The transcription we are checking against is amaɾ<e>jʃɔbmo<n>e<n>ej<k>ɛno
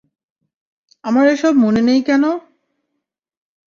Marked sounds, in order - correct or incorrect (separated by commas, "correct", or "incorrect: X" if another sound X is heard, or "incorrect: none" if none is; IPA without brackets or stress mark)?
correct, correct, correct, correct